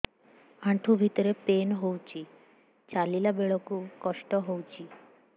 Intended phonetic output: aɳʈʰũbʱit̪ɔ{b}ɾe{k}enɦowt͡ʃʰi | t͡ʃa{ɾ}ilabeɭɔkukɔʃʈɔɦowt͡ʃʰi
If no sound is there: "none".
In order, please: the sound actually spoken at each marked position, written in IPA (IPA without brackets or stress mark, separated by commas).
none, p, l